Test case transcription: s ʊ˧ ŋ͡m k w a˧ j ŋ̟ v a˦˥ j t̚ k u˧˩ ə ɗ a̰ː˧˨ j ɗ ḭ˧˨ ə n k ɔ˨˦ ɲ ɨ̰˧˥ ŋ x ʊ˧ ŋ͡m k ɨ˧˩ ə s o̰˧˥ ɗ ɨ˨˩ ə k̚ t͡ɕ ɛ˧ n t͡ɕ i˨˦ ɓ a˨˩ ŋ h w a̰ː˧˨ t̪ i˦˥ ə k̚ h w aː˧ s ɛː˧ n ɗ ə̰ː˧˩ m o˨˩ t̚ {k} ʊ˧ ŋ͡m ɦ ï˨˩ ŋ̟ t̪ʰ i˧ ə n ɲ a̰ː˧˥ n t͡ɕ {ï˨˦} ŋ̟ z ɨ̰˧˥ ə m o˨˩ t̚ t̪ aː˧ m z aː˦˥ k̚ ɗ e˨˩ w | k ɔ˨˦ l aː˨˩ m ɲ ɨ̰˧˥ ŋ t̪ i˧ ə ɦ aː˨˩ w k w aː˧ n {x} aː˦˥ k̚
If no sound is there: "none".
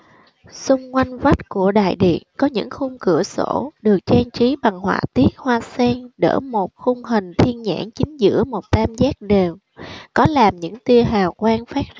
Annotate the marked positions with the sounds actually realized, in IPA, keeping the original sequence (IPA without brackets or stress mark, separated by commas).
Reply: x, ï˨˦, f